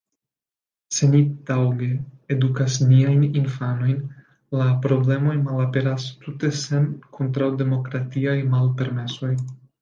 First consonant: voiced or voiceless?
voiceless